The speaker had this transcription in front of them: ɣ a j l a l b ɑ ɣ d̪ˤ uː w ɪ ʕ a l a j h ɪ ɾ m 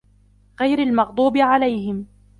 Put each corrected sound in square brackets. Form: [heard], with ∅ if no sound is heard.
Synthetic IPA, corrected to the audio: ɣ a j [ɾ] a l [m] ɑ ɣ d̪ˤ uː [b] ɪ ʕ a l a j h ɪ [∅] m